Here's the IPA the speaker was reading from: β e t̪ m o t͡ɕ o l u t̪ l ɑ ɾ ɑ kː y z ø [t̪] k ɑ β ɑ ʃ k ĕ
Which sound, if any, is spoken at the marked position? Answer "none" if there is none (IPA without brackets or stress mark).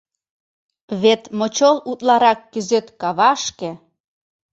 t̪